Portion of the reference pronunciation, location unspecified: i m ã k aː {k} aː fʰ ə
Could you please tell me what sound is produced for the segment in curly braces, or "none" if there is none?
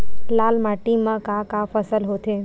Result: k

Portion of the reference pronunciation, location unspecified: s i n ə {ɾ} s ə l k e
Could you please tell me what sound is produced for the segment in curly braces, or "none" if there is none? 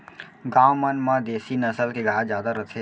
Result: none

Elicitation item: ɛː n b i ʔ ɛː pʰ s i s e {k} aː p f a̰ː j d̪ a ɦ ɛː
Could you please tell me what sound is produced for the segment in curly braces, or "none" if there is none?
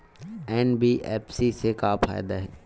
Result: k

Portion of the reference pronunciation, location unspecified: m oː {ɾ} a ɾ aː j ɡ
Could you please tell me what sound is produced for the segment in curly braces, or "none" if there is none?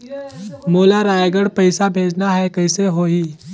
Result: l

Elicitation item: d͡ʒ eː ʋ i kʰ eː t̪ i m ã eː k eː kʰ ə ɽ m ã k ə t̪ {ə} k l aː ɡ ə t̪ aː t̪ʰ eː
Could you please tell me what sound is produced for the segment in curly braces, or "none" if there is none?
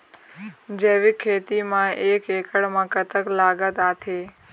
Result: ə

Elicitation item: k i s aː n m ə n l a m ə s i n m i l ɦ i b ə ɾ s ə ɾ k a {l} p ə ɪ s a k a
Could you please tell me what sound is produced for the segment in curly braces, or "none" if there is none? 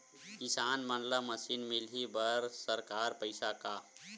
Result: ɾ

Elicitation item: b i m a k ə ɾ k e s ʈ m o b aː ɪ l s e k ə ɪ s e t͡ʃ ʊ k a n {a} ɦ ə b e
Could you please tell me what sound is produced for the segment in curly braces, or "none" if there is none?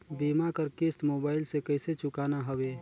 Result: a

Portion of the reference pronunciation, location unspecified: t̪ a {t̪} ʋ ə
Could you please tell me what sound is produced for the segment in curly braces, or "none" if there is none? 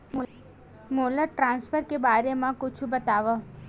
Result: none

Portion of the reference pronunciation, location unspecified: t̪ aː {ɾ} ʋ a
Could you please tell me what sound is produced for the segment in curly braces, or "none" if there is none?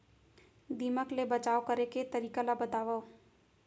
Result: none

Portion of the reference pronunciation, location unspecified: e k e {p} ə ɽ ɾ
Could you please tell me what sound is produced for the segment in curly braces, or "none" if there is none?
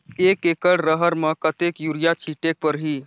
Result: k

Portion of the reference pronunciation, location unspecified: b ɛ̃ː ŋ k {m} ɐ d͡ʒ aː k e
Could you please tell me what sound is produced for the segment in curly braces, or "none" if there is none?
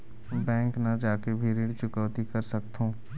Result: n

